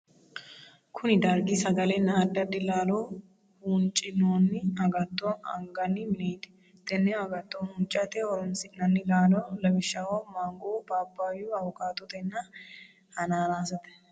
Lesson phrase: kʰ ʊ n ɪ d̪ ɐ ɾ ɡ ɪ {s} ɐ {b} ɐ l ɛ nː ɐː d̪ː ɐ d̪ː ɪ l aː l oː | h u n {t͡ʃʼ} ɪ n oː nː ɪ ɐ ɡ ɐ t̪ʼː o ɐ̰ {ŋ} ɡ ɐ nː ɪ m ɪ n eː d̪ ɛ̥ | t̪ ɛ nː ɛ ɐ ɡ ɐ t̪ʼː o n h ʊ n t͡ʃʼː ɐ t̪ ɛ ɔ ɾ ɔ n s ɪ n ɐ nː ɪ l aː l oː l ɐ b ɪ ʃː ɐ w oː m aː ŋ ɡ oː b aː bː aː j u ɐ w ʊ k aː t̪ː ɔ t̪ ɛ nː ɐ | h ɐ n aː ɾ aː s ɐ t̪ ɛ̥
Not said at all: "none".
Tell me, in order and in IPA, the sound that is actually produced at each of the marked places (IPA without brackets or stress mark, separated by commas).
s, ɡ, t͡ʃʼ, ŋ